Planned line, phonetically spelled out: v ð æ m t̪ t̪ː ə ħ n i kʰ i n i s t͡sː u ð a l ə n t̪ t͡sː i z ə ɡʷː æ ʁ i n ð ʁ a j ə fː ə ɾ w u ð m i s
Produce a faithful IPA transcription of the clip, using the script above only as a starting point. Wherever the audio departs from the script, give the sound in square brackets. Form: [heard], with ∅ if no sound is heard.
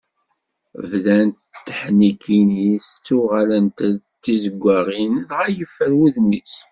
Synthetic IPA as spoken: v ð æ [n] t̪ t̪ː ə ħ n i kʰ i n i s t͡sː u [ʁ] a l ə n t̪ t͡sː i z ə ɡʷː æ ʁ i n ð ʁ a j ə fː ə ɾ w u ð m i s

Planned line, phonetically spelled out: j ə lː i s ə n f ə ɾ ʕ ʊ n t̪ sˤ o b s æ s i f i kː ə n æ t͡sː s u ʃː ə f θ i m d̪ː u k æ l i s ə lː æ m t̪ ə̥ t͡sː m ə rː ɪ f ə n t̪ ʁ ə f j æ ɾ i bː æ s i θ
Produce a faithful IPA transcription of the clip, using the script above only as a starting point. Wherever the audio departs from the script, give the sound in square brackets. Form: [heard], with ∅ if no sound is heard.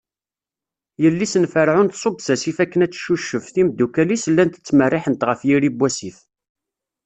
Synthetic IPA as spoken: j ə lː i s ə n f ə ɾ ʕ ʊ n t̪ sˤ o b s æ s i f [æ] kː ə n æ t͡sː [ʃ] u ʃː ə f θ i m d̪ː u k æ l i s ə lː æ [n] t̪ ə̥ t͡sː m ə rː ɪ [ħ] ə n t̪ ʁ ə f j [i] ɾ i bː æ s i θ

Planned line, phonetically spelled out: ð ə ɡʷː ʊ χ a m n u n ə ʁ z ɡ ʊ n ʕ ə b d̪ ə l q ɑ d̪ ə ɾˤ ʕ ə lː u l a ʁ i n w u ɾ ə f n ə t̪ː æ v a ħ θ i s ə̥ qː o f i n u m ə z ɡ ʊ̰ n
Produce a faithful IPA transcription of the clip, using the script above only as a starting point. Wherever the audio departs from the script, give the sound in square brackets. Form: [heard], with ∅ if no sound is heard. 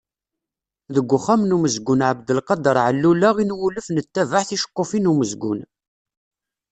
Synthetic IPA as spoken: ð ə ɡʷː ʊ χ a m n u [m] ə [∅] z ɡ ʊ n ʕ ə b d̪ ə l q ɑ d̪ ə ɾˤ ʕ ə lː u l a ʁ i n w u [l] ə f n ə t̪ː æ v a ħ θ i [ʃ] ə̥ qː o f i n u m ə z ɡ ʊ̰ n

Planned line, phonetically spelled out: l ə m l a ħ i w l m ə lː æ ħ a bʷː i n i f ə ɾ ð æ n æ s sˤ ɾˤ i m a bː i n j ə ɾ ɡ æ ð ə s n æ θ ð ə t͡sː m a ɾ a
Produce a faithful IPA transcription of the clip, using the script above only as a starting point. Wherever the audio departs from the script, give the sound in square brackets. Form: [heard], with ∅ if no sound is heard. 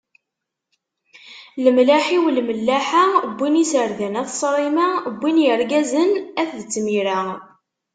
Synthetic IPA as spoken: l ə m l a ħ i w l m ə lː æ ħ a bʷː i n i [s] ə ɾ ð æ n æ [θ] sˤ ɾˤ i m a bː i n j ə ɾ ɡ æ [z] ə [∅] n æ θ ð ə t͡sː m [i] ɾ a

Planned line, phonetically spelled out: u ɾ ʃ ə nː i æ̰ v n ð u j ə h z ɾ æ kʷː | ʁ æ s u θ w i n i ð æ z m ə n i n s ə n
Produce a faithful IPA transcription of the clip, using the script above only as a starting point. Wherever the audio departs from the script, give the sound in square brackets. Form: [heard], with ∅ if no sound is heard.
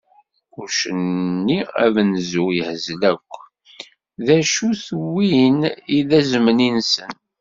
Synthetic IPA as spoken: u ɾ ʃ ə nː i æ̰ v n [z] u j ə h z [l] æ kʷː | [ð] æ [ʃ] u θ w i n i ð æ z m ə n i n s ə n

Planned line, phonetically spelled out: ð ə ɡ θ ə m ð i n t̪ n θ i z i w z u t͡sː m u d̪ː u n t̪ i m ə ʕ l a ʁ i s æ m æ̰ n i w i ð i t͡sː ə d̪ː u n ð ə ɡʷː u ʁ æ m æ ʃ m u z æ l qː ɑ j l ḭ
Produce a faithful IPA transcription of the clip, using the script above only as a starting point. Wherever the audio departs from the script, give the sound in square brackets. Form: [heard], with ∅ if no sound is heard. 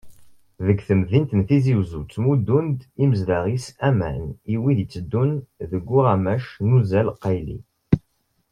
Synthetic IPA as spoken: ð ə ɡ θ ə m ð i n t̪ n θ i z i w z u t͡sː m u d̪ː u n [d̪] i m ə [z] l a ʁ i s æ m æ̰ n i w i ð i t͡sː ə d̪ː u n ð ə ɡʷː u ʁ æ m æ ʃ [n] u z æ l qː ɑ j l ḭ

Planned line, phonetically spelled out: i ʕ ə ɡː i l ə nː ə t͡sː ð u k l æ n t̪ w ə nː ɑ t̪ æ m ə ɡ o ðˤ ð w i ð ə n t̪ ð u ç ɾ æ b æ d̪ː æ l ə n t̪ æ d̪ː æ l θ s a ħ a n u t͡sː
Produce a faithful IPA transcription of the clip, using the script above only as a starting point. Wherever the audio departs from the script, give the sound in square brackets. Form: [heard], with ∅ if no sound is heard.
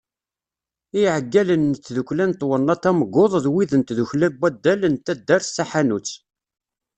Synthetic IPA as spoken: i ʕ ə ɡː [æ] l ə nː ə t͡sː ð u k l æ n t̪ w ə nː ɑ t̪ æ m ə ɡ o ðˤ ð w i ð ə n t̪ ð u ç [l] æ b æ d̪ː æ l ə n t̪ æ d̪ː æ [ɾ] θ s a ħ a n u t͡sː

